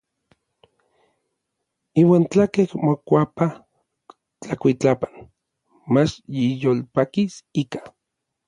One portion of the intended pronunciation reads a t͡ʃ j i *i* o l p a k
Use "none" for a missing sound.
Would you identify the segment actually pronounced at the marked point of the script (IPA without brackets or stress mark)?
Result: j